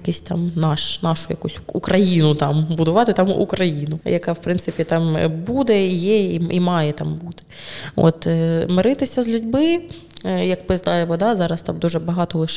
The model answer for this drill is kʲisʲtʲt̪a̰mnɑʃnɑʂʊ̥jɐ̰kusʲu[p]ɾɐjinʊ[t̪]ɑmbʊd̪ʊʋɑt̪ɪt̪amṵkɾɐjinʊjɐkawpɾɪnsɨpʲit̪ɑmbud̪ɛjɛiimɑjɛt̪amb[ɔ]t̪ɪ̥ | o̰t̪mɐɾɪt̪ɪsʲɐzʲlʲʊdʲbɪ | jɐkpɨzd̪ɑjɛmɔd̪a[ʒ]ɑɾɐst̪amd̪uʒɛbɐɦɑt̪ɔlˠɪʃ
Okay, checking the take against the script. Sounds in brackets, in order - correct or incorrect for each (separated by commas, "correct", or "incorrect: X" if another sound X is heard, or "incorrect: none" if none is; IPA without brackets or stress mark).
incorrect: k, correct, incorrect: u, incorrect: z